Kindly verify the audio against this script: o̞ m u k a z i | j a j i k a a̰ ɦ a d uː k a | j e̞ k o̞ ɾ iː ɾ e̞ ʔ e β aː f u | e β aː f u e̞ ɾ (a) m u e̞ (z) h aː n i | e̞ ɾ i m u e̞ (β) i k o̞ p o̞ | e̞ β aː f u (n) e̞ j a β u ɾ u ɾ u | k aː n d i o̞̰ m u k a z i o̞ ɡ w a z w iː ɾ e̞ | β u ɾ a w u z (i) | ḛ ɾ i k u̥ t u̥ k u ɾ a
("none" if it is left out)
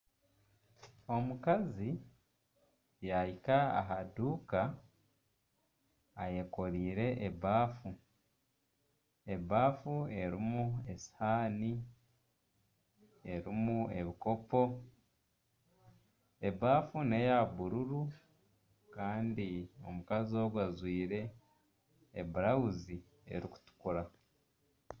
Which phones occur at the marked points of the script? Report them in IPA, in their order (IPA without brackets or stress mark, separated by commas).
i, s, β, n, i